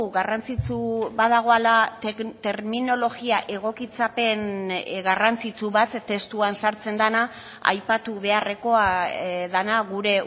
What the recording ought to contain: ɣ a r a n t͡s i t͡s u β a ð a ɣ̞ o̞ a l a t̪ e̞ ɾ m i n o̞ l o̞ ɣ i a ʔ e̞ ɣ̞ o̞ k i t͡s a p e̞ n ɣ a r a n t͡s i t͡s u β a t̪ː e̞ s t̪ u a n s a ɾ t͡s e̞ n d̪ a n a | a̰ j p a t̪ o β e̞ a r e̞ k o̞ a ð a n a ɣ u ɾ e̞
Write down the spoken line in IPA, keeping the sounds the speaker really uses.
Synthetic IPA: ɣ a r a n t͡s i t͡s u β a ð a ɣ̞ o̞ a l a t̪ e̞ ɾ m i n o̞ l o̞ ɣ i a ʔ e̞ ɣ̞ o̞ k i t͡s a p e̞ n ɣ a r a n t͡s i t͡s u β a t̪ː e̞ s t̪ u a n s a ɾ t͡s e̞ n d̪ a n a | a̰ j p a t̪ u β e̞ a r e̞ k o̞ a ð a n a ɣ u ɾ e̞